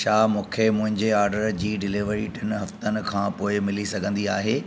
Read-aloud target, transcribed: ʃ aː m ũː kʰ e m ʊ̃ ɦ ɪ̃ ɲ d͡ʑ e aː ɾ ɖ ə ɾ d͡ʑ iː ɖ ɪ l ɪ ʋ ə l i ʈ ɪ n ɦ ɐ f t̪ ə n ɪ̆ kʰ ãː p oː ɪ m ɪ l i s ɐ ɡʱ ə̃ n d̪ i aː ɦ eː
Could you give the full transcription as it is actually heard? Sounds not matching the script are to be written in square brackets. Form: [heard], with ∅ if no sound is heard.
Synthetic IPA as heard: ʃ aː m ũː kʰ e m ʊ̃ ɦ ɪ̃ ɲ d͡ʑ e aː ɾ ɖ ə ɾ d͡ʑ iː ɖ ɪ l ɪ ʋ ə [ɾ] i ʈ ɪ n ɦ ɐ f t̪ ə n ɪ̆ kʰ ãː p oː ɪ m ɪ l i s ɐ ɡʱ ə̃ n d̪ i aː ɦ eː